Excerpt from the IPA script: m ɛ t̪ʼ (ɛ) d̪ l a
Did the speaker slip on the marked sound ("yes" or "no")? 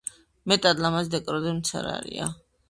yes